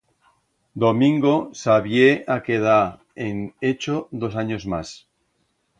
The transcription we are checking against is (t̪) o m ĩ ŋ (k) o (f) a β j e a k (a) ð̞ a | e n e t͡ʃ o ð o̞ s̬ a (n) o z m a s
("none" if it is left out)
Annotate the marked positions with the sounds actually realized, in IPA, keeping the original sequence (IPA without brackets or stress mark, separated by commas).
d̪, ɡ, s, e, ɲ